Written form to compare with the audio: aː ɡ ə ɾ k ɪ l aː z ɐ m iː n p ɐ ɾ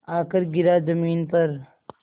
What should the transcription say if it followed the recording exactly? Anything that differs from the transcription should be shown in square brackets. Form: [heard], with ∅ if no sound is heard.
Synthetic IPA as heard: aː [k] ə ɾ [ɡ] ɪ [ɾ] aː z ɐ m iː n p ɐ ɾ